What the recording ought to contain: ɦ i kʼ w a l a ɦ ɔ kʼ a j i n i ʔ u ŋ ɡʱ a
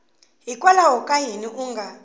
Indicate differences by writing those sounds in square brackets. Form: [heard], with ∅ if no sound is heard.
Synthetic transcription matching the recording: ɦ i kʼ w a l a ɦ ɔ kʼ a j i n i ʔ u ŋ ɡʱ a